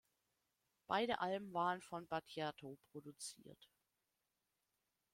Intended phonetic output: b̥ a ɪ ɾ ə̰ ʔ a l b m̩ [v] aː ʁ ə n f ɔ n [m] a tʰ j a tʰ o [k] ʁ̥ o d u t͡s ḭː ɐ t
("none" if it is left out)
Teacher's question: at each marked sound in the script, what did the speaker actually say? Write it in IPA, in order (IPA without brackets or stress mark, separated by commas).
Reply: v, b, p